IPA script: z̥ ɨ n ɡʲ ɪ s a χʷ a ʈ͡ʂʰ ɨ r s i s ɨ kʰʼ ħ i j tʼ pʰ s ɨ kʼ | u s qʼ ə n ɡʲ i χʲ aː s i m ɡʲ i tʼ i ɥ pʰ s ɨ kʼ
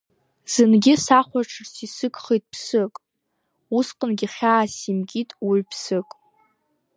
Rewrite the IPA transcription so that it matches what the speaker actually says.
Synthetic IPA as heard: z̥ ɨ n ɡʲ ɪ s a χʷ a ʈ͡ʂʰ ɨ r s i s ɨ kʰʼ χ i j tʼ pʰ s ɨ kʼ | u s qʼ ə n ɡʲ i χʲ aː s i m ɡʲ i tʼ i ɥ pʰ s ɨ kʼ